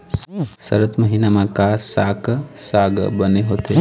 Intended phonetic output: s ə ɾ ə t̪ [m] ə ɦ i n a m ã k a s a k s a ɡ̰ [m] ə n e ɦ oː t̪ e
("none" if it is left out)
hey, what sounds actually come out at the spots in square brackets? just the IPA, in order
m, b

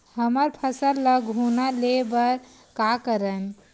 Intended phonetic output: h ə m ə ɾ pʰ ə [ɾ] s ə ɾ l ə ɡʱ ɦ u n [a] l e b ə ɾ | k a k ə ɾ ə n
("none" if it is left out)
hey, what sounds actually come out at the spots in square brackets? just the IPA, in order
none, a

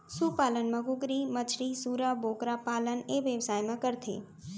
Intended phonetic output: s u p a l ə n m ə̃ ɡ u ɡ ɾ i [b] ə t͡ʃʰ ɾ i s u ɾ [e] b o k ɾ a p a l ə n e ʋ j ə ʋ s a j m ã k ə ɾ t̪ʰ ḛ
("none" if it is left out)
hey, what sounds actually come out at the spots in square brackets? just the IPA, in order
m, a

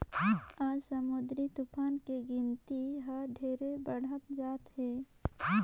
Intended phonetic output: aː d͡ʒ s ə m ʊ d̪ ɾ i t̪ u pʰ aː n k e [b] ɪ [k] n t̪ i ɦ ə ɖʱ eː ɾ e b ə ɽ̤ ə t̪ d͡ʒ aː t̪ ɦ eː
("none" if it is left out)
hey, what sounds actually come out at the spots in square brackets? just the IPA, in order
ɡ, none

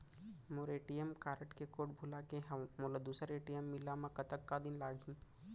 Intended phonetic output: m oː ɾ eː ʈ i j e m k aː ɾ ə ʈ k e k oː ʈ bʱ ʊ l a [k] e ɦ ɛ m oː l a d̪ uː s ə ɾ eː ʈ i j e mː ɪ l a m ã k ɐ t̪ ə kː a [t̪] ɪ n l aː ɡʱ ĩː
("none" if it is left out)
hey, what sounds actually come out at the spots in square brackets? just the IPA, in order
k, d̪

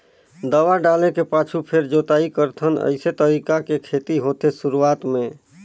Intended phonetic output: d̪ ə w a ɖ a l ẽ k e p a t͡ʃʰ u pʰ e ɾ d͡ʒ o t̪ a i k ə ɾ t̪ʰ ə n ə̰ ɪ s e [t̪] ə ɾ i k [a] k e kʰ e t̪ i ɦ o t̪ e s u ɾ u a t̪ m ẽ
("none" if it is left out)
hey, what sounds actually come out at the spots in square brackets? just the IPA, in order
t̪, a

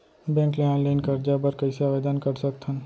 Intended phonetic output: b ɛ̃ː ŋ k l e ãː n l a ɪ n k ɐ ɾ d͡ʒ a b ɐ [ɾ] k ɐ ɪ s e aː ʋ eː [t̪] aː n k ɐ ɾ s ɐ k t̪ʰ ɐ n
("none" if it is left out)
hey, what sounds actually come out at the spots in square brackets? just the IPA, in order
ɾ, d̪

